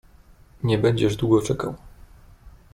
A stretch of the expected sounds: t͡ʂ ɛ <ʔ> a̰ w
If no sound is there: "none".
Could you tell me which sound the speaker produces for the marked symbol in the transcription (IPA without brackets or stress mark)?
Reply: k